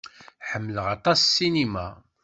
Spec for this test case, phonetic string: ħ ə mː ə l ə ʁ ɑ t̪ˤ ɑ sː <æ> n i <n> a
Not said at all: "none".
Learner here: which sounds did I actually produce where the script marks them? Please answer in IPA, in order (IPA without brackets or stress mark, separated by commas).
i, m